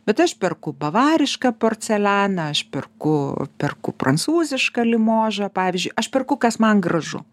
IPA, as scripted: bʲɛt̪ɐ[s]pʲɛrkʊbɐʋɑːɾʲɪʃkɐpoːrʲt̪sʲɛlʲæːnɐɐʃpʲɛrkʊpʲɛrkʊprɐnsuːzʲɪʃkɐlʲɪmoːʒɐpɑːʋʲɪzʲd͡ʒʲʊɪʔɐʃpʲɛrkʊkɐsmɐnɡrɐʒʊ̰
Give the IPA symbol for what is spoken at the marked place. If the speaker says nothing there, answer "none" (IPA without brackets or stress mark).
ʃ